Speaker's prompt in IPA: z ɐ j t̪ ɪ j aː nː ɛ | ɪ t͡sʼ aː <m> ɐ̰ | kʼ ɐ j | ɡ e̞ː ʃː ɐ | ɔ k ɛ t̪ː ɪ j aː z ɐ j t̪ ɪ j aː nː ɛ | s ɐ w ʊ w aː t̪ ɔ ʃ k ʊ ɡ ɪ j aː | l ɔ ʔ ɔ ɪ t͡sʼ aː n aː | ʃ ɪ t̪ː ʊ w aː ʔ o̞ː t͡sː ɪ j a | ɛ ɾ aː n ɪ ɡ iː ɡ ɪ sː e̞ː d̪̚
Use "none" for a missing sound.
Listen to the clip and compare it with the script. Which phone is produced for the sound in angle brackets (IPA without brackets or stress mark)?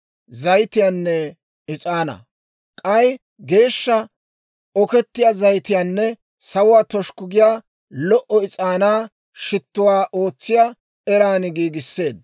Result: n